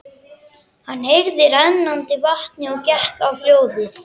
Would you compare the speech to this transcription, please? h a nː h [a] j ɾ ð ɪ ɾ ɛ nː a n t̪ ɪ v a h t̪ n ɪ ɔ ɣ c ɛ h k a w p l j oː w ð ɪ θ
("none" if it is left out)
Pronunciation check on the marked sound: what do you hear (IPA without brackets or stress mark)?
e